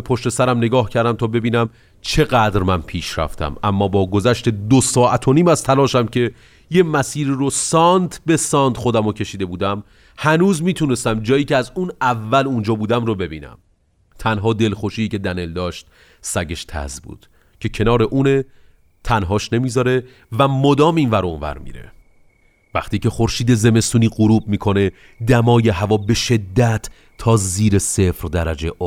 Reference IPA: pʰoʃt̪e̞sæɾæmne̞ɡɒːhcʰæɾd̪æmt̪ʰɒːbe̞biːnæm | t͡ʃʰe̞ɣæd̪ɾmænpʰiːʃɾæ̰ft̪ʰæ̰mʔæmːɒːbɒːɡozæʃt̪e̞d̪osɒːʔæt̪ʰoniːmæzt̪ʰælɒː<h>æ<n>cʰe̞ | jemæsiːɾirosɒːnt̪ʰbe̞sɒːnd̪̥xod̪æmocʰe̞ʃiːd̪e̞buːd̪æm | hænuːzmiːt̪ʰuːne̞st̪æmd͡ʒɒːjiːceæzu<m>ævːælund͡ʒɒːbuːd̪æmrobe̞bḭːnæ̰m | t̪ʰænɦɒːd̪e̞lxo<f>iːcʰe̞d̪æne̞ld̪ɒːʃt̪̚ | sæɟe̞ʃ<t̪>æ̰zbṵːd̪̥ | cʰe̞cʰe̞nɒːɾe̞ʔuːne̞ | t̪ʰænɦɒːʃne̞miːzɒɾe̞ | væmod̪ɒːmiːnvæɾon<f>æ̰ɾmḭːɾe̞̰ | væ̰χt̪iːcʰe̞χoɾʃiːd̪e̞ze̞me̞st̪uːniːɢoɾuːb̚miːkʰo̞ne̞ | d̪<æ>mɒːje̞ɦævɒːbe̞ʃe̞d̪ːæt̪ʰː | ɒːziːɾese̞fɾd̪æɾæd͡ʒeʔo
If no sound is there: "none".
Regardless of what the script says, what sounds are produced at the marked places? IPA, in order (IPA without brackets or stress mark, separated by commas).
ʃ, m, n, ʃ, t̪ʰ, v, æ